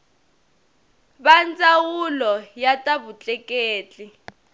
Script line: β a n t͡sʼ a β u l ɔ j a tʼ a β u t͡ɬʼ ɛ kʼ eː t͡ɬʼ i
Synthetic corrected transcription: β a n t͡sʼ a w u l ɔ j a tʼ a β u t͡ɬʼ ɛ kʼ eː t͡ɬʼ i